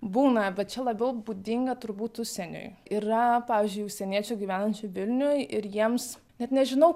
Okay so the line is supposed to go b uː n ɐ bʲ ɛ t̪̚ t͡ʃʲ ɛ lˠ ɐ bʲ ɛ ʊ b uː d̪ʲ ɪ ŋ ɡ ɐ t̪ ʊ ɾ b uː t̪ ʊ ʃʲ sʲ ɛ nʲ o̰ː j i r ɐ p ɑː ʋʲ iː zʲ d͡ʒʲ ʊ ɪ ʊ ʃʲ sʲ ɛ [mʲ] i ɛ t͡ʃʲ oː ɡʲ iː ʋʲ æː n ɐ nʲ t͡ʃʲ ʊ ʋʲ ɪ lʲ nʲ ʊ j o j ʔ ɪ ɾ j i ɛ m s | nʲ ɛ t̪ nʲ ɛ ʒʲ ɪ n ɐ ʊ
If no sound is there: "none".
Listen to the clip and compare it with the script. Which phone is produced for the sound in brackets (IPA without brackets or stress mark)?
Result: nʲ